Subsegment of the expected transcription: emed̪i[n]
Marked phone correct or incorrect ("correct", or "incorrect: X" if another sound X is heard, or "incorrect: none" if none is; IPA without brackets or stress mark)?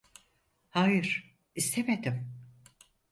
incorrect: m